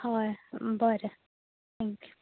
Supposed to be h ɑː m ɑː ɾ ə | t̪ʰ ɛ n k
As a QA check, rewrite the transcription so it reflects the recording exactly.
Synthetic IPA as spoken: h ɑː b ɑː ɾ ə | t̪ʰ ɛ ŋ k